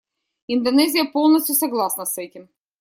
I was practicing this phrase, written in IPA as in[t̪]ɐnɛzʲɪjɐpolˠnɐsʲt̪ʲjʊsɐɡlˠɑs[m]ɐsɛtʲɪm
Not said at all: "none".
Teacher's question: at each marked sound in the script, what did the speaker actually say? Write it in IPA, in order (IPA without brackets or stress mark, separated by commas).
d̪, n